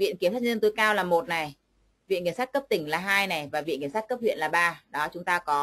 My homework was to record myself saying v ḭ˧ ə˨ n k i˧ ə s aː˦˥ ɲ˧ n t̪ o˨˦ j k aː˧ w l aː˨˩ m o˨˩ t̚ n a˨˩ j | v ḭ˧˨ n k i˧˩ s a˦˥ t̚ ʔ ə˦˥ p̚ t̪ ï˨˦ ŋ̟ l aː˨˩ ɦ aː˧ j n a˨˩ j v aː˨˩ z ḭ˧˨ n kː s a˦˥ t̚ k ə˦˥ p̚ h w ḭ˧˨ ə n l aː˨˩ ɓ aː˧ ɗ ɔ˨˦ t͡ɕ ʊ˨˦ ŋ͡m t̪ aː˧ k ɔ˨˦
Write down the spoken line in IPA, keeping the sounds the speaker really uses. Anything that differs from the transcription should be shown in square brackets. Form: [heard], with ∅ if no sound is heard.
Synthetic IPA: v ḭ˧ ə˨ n k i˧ ə s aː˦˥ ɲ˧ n t̪ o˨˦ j k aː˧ w l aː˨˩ m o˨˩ t̚ n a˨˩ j | v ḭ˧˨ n k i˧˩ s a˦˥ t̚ [k] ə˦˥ p̚ t̪ [ï˧˩] ŋ̟ l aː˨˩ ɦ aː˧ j n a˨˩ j v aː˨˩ [v] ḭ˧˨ n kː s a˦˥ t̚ k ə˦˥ p̚ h w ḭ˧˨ ə n l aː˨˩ ɓ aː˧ ɗ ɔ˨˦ t͡ɕ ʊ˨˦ ŋ͡m t̪ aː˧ k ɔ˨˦